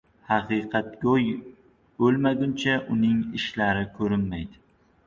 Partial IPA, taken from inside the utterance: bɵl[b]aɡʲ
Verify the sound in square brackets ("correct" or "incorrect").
incorrect